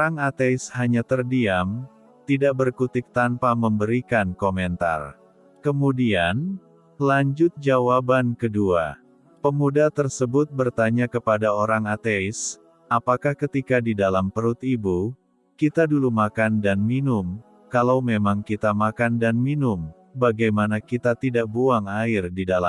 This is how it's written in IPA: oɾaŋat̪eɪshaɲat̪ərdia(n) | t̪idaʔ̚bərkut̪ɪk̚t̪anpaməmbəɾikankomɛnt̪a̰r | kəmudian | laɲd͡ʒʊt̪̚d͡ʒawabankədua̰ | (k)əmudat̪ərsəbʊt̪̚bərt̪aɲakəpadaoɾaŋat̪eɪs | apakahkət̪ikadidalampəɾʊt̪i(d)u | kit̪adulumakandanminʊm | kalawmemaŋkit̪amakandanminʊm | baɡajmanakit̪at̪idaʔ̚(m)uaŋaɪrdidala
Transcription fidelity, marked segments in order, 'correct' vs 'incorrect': incorrect: m, incorrect: p, incorrect: b, incorrect: b

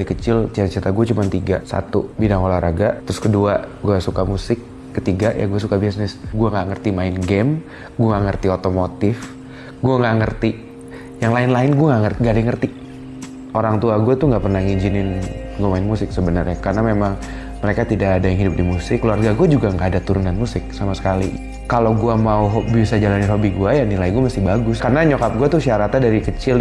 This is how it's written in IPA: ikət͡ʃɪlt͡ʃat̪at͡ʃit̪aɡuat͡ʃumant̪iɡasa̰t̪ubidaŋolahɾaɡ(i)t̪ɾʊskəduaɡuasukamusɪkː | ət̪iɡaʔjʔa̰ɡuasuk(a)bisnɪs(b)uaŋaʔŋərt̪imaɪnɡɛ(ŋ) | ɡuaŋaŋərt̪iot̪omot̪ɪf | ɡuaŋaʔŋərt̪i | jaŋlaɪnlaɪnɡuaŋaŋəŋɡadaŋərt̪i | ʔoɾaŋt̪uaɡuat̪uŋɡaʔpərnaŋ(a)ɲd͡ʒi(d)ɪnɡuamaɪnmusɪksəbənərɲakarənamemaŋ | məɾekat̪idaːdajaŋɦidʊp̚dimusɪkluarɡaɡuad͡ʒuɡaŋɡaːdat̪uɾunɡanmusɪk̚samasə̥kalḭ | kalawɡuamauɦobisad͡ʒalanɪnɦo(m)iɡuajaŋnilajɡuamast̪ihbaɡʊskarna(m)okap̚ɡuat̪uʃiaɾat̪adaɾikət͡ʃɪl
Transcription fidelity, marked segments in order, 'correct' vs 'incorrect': incorrect: a, correct, incorrect: ɡ, incorrect: m, incorrect: i, incorrect: n, incorrect: b, incorrect: ɲ

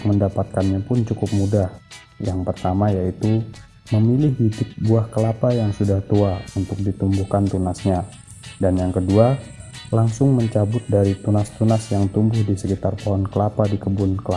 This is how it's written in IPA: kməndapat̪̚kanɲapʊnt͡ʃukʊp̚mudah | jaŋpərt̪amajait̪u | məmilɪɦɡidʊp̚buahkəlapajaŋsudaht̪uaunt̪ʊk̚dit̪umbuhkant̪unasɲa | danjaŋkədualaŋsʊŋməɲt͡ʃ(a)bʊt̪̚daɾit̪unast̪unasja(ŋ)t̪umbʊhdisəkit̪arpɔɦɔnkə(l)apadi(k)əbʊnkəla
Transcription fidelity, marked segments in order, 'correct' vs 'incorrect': correct, correct, correct, correct

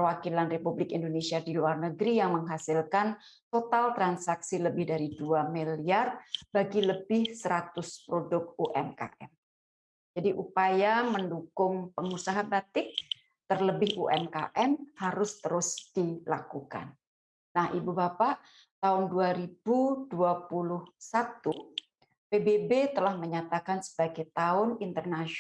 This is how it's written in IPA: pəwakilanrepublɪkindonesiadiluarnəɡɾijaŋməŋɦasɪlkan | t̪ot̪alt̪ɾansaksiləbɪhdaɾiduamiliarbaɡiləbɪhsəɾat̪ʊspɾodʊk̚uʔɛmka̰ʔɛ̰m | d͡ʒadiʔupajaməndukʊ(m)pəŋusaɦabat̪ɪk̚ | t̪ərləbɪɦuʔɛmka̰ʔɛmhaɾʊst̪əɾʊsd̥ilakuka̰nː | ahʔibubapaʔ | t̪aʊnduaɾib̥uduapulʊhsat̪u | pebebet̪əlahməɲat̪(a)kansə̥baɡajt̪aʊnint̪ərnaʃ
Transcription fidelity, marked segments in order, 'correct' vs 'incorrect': incorrect: ŋ, correct

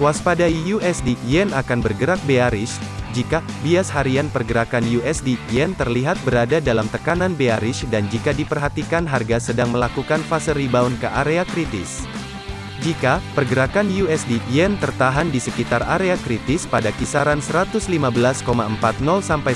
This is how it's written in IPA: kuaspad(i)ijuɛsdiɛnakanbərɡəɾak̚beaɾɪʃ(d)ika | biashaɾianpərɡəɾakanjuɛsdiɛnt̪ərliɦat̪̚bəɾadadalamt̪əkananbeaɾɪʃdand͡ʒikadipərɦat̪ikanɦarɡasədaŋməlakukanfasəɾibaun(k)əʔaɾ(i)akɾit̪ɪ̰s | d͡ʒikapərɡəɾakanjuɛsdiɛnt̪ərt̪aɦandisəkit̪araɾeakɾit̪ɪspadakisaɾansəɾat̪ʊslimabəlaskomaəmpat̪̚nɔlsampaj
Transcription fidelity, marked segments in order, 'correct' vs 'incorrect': incorrect: a, incorrect: d͡ʒ, correct, incorrect: e

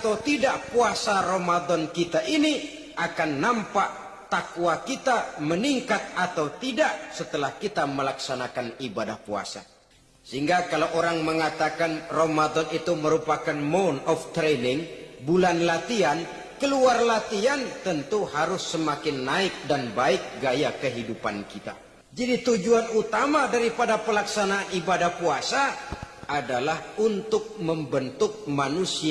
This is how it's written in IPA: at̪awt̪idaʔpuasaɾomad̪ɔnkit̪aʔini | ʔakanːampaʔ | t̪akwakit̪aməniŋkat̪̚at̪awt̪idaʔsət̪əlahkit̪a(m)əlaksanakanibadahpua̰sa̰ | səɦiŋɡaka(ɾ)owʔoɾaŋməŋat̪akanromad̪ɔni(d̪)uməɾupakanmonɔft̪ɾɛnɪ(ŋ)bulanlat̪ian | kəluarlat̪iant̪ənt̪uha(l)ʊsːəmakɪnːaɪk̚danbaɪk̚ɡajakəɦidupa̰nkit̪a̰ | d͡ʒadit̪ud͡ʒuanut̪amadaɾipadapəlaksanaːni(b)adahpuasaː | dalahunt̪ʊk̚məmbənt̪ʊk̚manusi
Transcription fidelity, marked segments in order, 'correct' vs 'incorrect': correct, incorrect: l, incorrect: t̪, correct, incorrect: ɾ, correct

